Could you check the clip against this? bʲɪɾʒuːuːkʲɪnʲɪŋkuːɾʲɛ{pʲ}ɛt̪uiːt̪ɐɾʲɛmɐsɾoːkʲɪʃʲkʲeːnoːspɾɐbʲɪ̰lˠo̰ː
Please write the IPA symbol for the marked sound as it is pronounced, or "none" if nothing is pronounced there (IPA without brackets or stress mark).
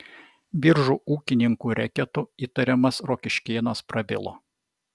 kʲ